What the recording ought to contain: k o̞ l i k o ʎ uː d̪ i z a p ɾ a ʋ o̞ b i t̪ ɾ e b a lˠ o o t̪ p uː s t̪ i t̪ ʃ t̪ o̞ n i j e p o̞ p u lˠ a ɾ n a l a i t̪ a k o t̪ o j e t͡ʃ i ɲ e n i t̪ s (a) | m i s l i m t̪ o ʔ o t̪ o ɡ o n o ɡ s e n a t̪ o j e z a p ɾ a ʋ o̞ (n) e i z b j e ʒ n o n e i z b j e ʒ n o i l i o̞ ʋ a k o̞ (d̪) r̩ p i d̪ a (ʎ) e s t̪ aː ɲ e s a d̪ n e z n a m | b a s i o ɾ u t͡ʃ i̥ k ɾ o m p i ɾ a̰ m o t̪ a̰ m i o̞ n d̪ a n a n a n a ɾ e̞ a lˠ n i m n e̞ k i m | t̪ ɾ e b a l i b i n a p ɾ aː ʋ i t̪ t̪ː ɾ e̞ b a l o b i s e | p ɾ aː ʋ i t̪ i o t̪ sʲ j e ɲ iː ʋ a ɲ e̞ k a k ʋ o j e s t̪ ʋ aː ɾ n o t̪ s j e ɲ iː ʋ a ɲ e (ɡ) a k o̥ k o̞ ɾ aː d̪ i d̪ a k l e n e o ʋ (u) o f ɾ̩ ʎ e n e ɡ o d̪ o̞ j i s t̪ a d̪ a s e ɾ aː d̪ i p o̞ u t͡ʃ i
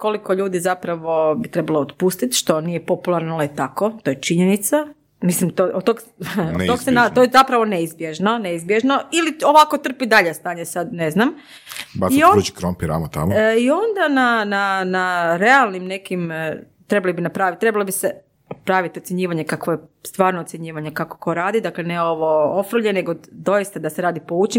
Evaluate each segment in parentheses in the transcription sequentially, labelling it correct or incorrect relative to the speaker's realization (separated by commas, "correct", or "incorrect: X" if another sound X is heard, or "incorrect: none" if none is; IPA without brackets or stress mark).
correct, correct, incorrect: t̪, correct, incorrect: k, incorrect: o